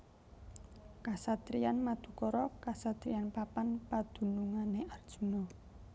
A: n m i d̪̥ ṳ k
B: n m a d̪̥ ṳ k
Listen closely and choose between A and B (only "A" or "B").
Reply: B